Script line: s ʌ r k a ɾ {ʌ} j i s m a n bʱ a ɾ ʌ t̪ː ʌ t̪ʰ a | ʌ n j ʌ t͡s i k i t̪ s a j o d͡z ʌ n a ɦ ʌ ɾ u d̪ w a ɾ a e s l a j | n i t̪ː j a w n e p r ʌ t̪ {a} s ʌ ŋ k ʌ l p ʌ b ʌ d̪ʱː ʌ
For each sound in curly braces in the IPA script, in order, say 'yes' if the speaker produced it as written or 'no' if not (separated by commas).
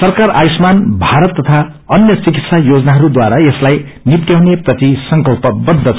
no, no